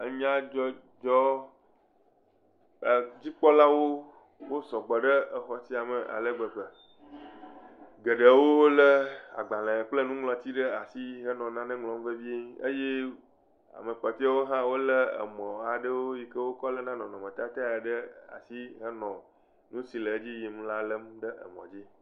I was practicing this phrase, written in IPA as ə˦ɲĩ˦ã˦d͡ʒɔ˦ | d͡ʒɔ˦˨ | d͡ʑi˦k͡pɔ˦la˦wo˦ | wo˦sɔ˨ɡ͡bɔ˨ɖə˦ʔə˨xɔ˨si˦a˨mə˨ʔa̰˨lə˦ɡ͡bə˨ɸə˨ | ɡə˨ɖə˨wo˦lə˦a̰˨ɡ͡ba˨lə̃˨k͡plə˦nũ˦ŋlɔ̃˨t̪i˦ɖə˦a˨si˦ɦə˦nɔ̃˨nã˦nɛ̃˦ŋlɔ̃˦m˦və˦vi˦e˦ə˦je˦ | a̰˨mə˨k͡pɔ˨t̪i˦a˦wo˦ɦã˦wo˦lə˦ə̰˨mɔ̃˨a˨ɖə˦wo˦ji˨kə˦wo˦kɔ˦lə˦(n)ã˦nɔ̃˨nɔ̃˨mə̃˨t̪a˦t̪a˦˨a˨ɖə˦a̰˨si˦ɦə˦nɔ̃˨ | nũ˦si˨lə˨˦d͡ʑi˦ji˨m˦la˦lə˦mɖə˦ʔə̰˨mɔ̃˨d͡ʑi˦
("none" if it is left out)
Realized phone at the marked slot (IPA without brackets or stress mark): n